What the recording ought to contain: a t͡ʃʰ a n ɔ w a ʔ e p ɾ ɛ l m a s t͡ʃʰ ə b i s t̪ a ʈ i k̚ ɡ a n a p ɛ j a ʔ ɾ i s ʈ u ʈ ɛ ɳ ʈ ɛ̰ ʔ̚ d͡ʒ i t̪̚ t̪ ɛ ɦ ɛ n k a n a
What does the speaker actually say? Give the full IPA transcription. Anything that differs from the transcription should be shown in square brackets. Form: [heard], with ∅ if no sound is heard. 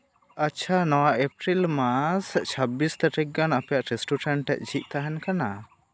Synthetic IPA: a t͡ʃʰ a n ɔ w a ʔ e p ɾ [i] l m a s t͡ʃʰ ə b i s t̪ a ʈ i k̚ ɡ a n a p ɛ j a ʔ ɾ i s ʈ u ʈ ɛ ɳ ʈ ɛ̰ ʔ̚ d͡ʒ i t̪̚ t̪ [a] ɦ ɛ n k a n a